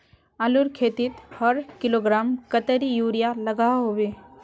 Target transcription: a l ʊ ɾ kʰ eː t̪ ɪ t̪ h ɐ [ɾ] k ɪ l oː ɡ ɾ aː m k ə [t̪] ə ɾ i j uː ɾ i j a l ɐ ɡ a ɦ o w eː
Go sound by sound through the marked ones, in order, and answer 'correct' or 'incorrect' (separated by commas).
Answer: correct, correct